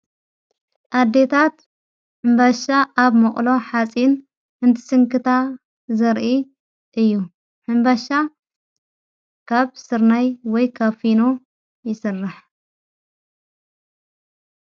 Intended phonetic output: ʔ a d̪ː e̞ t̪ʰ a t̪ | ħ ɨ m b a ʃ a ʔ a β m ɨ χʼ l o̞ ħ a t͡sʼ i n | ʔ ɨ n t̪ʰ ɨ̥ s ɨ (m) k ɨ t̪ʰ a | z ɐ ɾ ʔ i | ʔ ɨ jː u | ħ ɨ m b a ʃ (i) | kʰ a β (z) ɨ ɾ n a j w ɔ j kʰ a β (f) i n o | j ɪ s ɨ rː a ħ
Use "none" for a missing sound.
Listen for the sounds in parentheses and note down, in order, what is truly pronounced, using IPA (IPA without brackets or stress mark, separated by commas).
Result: ŋ, a, s, f